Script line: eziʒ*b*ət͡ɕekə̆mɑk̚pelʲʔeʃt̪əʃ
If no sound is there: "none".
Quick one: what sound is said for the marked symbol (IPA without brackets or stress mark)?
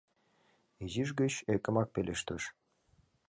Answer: ɡ